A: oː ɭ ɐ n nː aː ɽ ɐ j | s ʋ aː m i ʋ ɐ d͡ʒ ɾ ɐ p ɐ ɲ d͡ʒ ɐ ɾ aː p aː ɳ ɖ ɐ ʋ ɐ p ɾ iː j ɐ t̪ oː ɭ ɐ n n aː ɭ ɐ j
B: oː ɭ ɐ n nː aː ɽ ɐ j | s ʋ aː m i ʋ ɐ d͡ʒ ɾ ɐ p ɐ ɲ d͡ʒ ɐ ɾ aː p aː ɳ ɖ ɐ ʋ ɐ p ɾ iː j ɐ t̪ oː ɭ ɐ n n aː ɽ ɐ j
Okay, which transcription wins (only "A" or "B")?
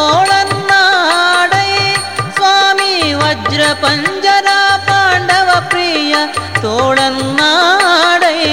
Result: B